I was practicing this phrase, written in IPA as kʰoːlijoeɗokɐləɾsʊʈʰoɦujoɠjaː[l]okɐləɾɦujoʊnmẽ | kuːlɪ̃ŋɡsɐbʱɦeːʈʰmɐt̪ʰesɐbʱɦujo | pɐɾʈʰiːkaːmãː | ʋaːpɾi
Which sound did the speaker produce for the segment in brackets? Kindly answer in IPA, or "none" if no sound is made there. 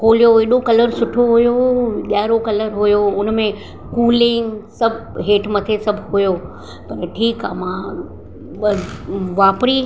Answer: ɾ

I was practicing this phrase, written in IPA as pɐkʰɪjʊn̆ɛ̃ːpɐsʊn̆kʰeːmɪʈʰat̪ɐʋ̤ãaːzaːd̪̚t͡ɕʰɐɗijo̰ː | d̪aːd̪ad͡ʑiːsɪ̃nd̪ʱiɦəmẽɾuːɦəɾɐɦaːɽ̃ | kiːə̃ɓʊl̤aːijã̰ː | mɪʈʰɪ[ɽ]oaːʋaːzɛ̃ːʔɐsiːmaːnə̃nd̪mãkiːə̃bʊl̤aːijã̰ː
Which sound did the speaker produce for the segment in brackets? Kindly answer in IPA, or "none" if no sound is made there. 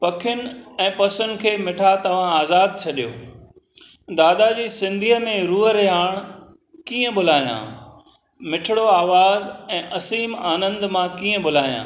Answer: ɽ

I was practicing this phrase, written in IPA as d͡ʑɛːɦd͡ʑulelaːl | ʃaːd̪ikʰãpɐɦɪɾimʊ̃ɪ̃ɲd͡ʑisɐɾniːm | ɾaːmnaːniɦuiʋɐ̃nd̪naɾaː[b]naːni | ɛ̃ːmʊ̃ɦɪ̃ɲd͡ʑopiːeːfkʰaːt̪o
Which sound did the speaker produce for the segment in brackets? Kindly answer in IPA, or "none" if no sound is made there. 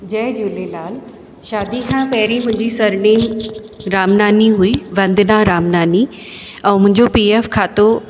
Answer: m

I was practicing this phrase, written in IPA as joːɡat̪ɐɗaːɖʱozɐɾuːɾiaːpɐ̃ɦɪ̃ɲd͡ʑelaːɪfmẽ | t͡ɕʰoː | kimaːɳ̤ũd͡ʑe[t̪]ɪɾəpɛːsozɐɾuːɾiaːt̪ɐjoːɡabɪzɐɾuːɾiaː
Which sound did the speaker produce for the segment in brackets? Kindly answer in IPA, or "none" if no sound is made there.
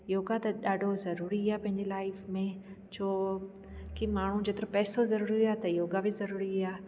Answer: t̪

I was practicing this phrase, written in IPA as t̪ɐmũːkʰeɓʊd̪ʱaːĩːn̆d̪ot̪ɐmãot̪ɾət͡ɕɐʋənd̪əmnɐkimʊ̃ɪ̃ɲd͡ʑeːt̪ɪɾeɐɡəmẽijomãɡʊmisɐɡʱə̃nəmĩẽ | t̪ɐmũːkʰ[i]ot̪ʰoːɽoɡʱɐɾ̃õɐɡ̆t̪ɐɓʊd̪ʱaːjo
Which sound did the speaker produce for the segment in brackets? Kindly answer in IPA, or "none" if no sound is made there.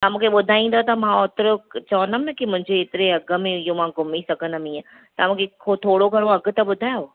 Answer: e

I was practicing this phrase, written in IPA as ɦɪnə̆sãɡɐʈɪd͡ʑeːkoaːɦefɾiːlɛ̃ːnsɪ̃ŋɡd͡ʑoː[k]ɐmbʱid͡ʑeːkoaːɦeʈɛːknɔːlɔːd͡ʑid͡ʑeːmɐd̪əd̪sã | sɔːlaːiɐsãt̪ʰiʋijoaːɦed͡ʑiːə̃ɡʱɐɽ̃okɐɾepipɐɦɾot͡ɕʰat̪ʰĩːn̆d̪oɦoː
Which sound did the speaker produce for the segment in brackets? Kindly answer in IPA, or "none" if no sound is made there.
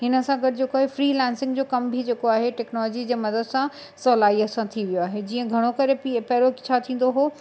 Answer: k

